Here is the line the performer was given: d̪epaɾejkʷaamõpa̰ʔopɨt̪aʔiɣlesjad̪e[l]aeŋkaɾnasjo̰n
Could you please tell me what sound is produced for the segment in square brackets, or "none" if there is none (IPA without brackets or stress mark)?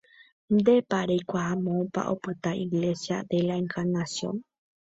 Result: l